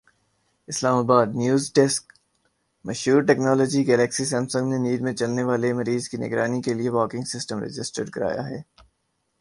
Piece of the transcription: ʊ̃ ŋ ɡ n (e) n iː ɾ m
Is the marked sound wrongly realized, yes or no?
no